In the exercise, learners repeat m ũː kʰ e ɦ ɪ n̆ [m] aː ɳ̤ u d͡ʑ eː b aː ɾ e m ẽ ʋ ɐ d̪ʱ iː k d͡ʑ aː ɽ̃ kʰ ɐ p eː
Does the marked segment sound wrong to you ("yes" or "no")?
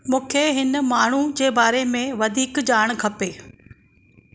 no